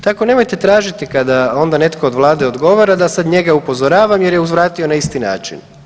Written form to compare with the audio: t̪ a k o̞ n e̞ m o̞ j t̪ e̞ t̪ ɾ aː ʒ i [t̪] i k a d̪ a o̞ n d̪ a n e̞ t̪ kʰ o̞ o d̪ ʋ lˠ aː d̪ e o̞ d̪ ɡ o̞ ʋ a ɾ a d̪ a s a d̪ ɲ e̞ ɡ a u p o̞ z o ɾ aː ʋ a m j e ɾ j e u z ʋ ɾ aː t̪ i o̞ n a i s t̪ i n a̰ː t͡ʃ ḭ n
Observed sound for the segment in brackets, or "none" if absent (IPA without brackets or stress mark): t̪